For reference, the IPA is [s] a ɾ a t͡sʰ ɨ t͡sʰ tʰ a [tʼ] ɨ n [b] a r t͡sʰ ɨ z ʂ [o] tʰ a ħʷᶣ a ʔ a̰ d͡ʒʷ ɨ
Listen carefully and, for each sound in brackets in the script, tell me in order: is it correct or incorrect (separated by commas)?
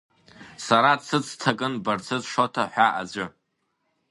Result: correct, incorrect, correct, correct